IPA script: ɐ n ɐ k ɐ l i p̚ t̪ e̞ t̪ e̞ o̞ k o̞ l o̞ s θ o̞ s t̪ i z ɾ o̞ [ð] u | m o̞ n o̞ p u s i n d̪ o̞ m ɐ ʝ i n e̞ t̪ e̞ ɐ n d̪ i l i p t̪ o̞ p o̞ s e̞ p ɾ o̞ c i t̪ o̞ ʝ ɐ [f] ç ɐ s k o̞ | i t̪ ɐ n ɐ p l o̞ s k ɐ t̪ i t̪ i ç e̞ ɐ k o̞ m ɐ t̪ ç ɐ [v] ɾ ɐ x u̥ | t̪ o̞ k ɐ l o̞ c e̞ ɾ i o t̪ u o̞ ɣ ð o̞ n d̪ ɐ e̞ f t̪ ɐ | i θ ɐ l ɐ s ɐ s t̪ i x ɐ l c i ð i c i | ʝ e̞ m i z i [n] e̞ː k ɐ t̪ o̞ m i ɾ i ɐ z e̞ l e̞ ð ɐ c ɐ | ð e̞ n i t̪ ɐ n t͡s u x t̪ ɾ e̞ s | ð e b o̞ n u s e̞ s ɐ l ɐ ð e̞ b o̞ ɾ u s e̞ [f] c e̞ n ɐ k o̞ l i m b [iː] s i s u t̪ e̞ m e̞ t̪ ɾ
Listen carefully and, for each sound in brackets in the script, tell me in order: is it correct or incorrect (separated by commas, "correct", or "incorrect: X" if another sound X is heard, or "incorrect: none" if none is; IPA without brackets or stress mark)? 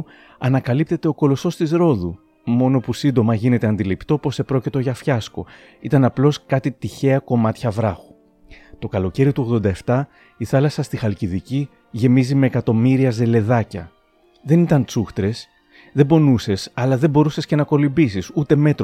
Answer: correct, correct, correct, incorrect: m, incorrect: s, incorrect: i